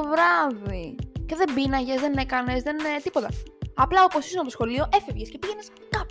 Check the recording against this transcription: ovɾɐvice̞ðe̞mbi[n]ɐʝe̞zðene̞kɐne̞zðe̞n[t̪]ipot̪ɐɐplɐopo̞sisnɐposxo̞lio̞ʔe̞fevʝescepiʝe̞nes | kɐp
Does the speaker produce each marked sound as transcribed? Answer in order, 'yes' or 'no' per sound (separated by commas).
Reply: yes, yes